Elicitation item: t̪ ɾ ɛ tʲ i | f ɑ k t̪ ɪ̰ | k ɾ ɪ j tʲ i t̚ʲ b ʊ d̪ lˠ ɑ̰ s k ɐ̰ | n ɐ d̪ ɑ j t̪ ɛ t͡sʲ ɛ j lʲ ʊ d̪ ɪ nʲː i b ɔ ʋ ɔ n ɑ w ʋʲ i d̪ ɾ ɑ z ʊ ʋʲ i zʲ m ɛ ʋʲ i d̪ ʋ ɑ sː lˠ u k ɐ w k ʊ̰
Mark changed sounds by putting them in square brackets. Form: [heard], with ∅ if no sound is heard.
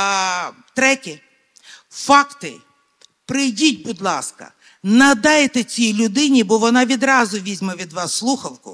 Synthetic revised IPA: t̪ ɾ ɛ tʲ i | f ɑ k t̪ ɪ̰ | [p] ɾ ɪ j [dʲ] i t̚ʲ b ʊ d̪ lˠ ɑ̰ s k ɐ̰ | n ɐ d̪ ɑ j t̪ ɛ t͡sʲ [i] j lʲ ʊ d̪ ɪ [nʲ] i b ɔ ʋ ɔ n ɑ [∅] ʋʲ i d̪ ɾ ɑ z ʊ ʋʲ i zʲ m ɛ ʋʲ i d̪ ʋ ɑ sː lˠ u [x] ɐ w k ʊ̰